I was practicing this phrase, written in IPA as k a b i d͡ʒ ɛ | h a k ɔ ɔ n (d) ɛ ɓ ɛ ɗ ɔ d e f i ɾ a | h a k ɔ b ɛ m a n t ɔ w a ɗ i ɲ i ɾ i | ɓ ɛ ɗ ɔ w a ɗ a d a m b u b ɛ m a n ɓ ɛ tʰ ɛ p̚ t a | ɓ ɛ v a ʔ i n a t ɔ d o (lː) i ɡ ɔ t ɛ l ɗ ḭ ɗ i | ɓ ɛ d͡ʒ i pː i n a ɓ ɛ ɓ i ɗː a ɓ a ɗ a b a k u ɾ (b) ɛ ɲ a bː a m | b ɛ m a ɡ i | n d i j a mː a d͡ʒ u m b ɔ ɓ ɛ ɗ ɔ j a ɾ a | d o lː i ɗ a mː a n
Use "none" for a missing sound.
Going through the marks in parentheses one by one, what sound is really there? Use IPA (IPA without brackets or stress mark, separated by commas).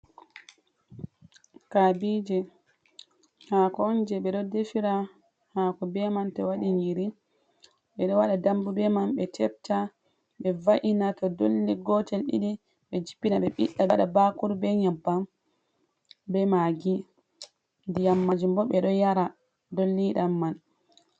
d͡ʒ, lː, b